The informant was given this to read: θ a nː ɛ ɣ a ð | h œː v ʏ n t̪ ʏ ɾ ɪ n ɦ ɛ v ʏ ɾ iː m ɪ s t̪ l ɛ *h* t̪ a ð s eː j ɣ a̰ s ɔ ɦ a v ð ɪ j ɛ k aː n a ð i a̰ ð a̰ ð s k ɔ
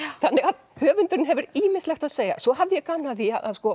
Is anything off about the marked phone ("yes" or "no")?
yes